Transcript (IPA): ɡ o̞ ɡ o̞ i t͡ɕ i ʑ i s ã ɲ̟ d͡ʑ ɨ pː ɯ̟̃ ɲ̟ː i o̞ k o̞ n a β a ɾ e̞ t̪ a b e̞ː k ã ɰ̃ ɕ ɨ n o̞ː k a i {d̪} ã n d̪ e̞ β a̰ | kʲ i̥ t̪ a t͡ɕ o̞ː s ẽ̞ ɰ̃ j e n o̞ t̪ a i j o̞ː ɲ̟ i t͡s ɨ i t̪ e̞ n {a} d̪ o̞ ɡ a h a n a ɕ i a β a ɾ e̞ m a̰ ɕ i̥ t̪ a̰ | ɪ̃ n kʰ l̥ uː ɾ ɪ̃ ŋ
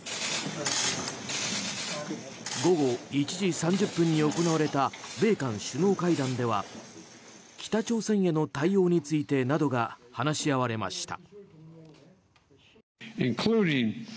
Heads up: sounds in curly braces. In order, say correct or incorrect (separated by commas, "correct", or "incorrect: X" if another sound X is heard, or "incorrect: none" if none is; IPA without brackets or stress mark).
correct, correct